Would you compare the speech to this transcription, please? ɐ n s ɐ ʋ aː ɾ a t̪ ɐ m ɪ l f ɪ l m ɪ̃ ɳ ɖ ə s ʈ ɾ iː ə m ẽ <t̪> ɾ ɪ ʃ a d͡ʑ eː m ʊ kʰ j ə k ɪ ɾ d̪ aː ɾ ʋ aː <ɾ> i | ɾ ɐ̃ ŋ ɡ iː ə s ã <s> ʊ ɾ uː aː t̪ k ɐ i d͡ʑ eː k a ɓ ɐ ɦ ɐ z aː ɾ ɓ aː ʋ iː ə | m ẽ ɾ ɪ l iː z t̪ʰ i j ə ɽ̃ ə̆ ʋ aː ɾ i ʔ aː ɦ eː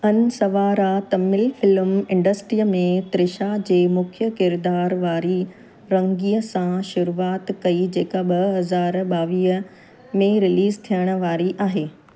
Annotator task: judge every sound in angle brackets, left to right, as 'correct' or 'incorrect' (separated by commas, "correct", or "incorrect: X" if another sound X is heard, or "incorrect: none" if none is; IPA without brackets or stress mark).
correct, correct, incorrect: ʃ